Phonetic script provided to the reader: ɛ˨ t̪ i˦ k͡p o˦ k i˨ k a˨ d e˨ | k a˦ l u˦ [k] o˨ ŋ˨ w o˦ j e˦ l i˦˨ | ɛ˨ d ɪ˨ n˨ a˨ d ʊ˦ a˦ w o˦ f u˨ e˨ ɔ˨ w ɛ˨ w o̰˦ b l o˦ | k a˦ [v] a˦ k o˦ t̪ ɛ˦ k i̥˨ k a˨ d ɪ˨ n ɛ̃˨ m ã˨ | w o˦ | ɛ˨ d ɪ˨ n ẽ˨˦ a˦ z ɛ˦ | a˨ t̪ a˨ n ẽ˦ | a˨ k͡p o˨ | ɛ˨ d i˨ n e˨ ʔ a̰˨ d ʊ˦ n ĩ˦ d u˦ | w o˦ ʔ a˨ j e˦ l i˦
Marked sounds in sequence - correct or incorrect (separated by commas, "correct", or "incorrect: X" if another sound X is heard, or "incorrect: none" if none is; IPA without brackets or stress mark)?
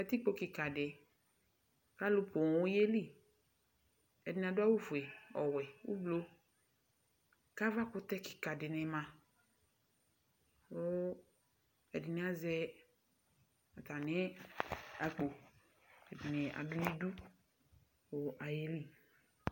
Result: incorrect: p, correct